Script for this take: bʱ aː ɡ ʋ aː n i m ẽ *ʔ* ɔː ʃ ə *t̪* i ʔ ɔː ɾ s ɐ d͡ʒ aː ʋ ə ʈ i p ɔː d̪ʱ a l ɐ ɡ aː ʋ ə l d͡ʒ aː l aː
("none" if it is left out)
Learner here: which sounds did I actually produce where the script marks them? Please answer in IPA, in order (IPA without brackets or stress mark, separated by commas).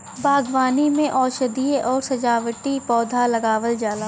ʔ, d̪